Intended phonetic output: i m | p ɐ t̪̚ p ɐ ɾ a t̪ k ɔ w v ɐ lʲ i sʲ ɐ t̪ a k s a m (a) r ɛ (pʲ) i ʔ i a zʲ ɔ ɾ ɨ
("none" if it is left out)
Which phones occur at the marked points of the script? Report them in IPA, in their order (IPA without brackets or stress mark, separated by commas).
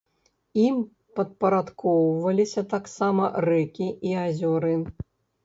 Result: ɐ, kʲ